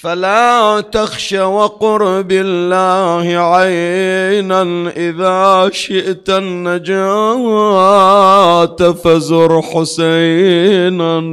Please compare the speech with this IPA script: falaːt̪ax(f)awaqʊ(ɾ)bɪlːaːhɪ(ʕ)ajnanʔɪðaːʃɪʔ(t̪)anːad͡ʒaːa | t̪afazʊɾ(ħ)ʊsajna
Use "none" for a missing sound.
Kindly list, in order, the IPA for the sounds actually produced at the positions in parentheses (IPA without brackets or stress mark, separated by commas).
ʃ, ɾ, ʕ, t̪, ħ